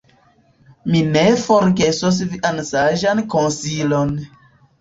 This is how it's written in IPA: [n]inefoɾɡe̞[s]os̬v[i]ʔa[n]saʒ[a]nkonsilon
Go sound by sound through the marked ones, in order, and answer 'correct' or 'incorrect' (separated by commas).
incorrect, correct, correct, correct, correct